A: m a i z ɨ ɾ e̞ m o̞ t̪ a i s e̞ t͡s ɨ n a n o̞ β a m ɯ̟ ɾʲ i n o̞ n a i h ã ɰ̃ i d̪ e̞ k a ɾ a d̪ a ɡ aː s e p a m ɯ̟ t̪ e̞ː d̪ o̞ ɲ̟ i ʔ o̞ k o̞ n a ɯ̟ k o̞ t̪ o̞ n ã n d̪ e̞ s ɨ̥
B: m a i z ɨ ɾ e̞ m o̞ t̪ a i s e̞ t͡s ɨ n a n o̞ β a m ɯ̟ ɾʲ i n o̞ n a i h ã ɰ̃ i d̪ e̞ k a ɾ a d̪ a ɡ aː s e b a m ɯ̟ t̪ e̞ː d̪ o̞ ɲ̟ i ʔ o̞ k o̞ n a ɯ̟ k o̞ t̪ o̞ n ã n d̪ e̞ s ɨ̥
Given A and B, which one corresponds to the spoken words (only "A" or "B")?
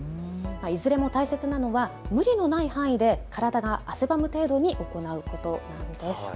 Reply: B